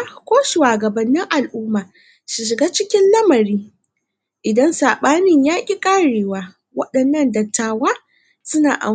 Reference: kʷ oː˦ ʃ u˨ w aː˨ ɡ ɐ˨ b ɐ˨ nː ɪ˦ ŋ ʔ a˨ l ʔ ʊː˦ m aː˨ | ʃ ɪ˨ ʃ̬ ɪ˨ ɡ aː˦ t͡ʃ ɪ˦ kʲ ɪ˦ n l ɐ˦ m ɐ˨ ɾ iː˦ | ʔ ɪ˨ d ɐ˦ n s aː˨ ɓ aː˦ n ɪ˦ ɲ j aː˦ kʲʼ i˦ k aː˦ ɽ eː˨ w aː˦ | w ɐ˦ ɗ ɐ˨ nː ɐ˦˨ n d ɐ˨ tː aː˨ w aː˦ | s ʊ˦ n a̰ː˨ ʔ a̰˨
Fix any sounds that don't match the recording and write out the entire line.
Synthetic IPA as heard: kʷ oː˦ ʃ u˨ w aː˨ ɡ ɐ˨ b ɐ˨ nː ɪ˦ ŋ ʔ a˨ l ʔ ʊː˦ m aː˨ | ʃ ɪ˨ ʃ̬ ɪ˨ ɡ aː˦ t͡ʃ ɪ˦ kʲ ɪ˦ n l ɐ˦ m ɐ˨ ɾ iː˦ | ʔ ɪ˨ d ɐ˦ n s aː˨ ɓ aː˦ n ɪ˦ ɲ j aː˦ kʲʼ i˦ kʼ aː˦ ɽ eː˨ w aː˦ | w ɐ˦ ɗ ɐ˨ nː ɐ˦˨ n d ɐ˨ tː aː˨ w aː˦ | s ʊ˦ n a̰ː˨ ʔ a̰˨